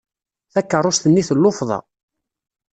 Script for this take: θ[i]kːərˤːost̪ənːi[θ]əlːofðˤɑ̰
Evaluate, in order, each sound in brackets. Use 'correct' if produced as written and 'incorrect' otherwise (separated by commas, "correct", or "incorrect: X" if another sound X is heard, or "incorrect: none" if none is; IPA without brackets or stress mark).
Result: incorrect: æ, correct